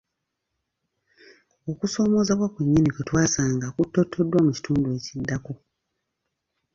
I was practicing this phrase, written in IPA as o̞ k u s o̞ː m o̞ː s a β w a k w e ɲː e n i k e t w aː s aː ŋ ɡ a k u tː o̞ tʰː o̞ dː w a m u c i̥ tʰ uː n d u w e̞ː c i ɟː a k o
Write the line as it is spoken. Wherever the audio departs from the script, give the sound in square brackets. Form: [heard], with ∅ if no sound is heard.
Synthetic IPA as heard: o̞ k u s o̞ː m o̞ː [z] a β w a k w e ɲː [i] n i k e t w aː s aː ŋ ɡ a k u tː o̞ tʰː o̞ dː w a m u c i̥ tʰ uː n d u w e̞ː c i [dː] a k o

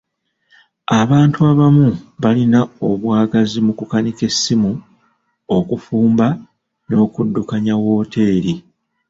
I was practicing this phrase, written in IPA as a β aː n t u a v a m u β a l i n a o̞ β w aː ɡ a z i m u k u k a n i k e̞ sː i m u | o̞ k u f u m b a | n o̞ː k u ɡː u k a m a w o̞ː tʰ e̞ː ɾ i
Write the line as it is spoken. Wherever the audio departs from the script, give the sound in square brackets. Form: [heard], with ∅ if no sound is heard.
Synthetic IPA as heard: a β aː n t u a [β] a m u β a l i n a o̞ β w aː ɡ a z i m u k u k a n i k e̞ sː i m u | o̞ k u f [uː] m b a | n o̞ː k u [dː] u k a [ɲ] a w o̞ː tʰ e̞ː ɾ i

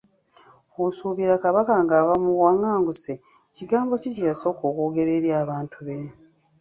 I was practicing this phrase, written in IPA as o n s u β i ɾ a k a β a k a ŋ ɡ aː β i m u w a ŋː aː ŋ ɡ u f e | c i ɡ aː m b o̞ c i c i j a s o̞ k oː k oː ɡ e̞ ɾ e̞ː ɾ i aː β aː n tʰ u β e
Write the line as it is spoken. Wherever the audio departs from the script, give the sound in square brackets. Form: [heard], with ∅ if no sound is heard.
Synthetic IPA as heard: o [∅] s u β i ɾ a k a β a k a ŋ ɡ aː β [a] m u w a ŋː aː ŋ ɡ u [s] e | c i ɡ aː m b o̞ c i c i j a s o̞ k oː k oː ɡ e̞ ɾ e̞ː ɾ [j] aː β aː n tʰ u β e

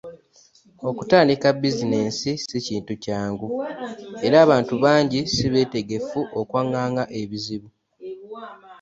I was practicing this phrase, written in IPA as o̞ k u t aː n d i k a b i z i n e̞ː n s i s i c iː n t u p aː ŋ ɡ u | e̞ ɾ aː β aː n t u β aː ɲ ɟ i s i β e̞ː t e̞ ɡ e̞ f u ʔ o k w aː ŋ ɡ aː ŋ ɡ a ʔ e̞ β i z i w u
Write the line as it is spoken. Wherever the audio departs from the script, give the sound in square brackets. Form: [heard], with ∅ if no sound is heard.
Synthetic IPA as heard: o̞ k u t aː n d i k a b i z i n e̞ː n s i s i c iː n t u [c] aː ŋ ɡ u | e̞ ɾ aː β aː n t u β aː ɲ ɟ i s i β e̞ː t e̞ ɡ e̞ f u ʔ o k w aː ŋ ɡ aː ŋ ɡ a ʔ e̞ β i z i [β] u

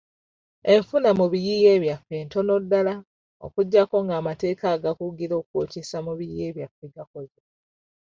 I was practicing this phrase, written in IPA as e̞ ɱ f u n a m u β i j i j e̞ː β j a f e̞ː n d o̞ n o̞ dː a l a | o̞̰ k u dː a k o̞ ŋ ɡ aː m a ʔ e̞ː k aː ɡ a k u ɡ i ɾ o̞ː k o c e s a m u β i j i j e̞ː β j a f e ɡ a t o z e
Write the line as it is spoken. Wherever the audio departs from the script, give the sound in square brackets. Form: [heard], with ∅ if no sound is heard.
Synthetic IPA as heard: e̞ ɱ f u n a m u β i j i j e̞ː β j a f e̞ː n [t] o̞ n o̞ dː a l a | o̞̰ k u [ɟː] a k o̞ ŋ ɡ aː m a [t] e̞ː k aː ɡ a k u ɡ i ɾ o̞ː k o c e s a m u β i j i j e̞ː β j a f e ɡ a [k] o z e

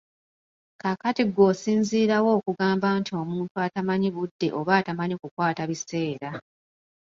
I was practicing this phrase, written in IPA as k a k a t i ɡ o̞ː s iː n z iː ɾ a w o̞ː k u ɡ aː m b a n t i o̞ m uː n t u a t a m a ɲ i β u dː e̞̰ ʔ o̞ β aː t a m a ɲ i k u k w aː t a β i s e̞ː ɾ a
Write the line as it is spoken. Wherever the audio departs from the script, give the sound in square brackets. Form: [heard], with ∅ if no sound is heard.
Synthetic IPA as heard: k a k a t i ɡ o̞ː s iː n z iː ɾ a w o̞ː k u ɡ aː m b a n t i o̞ m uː n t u a t a m a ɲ i β u dː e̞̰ ʔ o̞ β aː t a m a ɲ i k u k w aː t a β i s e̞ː ɾ a

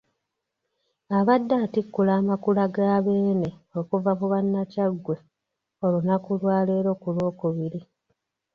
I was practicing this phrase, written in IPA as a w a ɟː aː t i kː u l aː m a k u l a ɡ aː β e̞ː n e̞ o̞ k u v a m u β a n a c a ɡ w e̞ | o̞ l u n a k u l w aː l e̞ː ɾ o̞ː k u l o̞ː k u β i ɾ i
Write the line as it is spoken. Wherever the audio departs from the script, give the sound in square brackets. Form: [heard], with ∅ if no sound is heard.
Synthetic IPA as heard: a [β] a [dː] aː t i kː u l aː m a k u l a ɡ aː β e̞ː n e̞ o̞ k u v a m u β a [nː] a c a ɡ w e̞ | o̞ l u n a k u l w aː l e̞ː ɾ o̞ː k u l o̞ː k u β i ɾ i

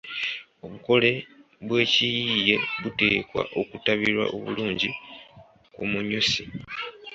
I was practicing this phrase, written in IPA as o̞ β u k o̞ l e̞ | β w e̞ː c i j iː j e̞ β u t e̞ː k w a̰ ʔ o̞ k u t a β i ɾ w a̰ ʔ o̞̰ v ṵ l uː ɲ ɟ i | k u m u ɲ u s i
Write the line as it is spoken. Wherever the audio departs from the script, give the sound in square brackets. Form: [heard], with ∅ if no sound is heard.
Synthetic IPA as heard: o̞ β u k o̞ l e̞ | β w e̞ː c i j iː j e̞ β u t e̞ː k w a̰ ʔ o̞ k u t a β i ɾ w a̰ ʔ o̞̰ [β] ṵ l uː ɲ ɟ i | k u m u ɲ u s i

